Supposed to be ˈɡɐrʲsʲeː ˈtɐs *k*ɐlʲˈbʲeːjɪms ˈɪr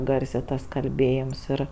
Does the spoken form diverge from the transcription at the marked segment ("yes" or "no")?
no